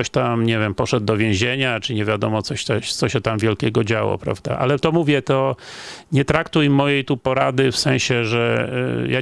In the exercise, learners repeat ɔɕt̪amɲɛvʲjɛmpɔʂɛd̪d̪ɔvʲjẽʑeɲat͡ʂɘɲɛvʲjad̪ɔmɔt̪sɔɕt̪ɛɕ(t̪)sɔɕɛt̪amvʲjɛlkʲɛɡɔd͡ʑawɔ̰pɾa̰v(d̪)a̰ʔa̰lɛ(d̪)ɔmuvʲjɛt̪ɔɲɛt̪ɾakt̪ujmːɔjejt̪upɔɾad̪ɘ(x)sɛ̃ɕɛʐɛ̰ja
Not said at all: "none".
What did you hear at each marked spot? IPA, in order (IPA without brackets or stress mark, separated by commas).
t̪, d̪, t̪, f